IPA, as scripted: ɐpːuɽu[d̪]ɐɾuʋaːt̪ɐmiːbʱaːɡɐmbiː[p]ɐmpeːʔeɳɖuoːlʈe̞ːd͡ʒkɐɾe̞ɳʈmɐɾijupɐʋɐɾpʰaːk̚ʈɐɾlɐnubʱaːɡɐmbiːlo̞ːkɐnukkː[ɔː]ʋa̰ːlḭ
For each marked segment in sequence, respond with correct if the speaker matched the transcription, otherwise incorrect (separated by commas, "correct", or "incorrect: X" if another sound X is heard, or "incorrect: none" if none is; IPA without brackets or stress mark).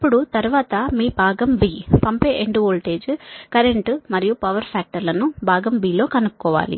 incorrect: t̪, correct, correct